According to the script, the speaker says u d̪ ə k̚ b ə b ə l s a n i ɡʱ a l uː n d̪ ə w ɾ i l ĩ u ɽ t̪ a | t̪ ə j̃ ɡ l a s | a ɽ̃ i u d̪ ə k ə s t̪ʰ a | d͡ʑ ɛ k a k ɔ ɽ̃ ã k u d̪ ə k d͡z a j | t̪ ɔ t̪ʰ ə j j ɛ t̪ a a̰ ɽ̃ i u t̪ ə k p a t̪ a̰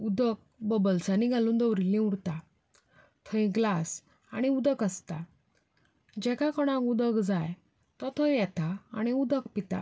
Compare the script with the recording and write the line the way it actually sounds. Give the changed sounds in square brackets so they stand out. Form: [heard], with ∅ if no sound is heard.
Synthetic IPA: u d̪ ə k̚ b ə b ə l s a n i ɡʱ a l uː n d̪ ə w ɾ i l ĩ u ɽ t̪ a | [t̪ʰ] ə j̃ ɡ l a s | a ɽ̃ i u d̪ ə k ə s [t̪] a | d͡ʑ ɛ k a k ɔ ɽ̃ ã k u d̪ ə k d͡z a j | t̪ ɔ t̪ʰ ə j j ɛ t̪ a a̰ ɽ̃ i u [d̪] ə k p [i] t̪ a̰